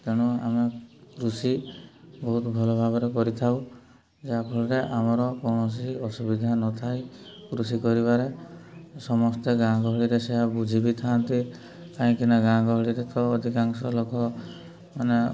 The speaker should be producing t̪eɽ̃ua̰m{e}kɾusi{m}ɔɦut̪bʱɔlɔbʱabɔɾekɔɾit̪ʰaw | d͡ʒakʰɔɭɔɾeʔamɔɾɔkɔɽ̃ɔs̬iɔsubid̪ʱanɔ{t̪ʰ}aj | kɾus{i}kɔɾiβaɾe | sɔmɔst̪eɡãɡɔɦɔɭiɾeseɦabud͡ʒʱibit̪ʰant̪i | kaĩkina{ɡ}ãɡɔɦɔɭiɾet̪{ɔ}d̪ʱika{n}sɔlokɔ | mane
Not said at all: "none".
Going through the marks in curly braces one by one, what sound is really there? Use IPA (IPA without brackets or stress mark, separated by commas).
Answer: e, b, t̪ʰ, i, ɡ, ɔː, ŋ